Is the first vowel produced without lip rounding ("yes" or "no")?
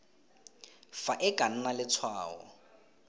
yes